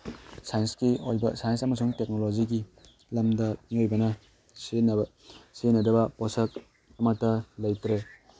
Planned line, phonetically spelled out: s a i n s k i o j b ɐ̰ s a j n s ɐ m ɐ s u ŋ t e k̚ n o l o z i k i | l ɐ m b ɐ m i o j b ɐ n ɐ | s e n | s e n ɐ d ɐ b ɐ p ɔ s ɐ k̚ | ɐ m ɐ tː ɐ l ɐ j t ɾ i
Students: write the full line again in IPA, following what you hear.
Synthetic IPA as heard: s a j n s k i o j b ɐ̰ s a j n s ɐ m ɐ s u ŋ t e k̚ n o l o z i ɡ i | l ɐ m d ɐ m i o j b ɐ n ɐ | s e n | s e n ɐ d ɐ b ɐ p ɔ s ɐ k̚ | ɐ m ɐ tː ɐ l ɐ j t ɾ e